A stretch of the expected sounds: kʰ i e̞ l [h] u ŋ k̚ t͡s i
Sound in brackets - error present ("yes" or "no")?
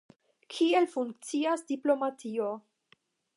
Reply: yes